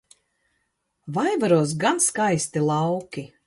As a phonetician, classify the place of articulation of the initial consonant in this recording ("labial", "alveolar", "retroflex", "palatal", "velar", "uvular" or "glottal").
labial